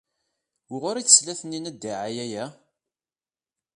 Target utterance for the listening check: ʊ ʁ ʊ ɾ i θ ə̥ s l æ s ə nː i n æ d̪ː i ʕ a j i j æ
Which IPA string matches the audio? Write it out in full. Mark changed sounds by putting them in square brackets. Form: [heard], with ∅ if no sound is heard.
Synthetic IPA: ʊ ʁ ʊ ɾ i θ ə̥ s l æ [θ] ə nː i n æ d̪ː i ʕ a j [æ] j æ